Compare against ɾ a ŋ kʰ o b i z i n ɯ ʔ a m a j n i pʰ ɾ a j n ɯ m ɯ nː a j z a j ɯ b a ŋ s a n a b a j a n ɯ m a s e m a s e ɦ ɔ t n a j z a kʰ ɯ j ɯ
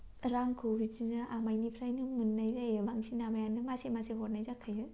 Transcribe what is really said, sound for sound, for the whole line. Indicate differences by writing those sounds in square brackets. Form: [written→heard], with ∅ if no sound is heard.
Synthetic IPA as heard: ɾ a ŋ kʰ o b i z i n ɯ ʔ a m a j n i pʰ ɾ a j n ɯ m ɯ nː a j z a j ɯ b a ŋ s [a→i] n a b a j a n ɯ m a s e m a s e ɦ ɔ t n a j z a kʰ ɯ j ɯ